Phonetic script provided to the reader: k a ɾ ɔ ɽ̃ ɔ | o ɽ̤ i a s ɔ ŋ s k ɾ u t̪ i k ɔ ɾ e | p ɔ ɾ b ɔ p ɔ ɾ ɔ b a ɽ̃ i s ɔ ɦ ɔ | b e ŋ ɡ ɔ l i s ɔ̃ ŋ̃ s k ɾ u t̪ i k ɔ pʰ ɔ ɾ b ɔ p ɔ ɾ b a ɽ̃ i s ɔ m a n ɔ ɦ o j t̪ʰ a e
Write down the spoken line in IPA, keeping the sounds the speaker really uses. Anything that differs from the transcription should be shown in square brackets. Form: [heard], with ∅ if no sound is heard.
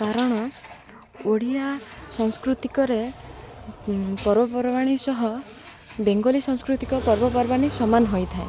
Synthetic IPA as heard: k a ɾ ɔ ɽ̃ ɔ | o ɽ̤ i a s ɔ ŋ s k ɾ u t̪ i k ɔ ɾ e | p ɔ ɾ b ɔ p ɔ ɾ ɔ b a ɽ̃ i s ɔ ɦ ɔ | b e ŋ ɡ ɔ l i s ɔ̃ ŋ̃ s k ɾ u t̪ i k ɔ [p] ɔ ɾ b ɔ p ɔ ɾ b a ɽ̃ i s ɔ m a n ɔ ɦ o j t̪ʰ a e